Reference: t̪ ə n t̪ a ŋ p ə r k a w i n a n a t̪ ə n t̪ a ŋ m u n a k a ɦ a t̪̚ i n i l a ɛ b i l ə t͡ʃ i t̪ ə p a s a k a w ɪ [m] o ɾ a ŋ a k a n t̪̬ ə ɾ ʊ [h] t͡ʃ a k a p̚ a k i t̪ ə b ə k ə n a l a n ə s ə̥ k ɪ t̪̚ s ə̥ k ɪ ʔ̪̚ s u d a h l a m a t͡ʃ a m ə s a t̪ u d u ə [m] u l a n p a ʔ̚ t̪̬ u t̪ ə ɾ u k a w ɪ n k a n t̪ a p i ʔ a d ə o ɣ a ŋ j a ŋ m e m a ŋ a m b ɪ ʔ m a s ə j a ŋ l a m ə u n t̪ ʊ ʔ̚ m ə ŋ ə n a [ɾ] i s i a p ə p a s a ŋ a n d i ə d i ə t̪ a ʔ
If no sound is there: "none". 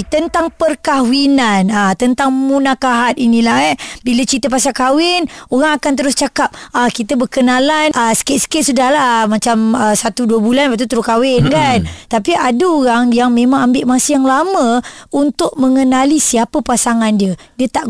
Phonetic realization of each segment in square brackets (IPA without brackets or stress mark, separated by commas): n, s, b, l